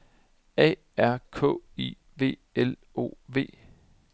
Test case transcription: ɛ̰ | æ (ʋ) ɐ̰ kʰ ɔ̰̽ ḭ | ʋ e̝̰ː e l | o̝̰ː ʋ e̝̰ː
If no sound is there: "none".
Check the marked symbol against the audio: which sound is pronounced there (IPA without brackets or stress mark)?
none